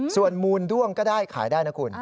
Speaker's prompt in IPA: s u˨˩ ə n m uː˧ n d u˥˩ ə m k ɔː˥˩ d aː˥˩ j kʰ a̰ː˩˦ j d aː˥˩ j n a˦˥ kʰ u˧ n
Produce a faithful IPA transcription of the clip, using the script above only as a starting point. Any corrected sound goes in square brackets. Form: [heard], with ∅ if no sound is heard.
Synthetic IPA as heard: s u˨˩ ə n m uː˧ n d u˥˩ ə [ŋ] k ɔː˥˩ d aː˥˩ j kʰ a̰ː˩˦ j d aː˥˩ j n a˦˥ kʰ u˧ n